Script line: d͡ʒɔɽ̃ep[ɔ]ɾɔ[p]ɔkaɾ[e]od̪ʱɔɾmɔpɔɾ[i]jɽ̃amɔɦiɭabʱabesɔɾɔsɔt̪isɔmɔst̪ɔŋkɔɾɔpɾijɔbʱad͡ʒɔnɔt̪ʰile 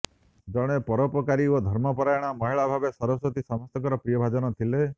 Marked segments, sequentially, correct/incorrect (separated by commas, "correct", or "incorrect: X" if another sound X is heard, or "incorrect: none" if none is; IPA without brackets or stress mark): correct, correct, incorrect: i, incorrect: a